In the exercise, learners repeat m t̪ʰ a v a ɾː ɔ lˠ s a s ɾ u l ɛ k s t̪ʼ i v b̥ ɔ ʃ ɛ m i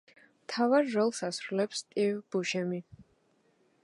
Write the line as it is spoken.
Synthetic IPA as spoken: m t̪ʰ a v a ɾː ɔ lˠ s a s ɾ u l ɛ p s t̪ʼ i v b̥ u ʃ ɛ m i